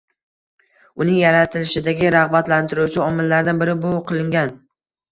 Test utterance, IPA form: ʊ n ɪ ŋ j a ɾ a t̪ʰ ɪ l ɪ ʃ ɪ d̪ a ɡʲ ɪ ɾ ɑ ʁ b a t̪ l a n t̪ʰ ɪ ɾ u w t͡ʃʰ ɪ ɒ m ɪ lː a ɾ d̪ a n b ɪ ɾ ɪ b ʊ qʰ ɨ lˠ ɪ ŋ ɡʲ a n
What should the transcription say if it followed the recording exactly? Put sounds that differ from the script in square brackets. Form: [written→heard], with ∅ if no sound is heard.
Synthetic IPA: ʊ n ɪ ŋ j a ɾ a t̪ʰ ɪ l ɪ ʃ ɪ d̪ a ɡʲ ɪ ɾ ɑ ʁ b a t̪ l a n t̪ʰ ɪ ɾ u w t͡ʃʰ ɪ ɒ m ɪ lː a ɾ d̪ a n b ɪ ɾ ɪ b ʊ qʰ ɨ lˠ ɪ ŋ ɡʲ a n